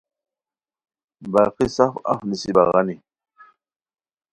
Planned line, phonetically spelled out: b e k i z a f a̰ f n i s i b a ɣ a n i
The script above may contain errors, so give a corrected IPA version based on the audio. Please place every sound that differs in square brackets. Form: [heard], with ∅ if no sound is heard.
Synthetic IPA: b [a] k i [s] a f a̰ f n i s i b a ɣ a n i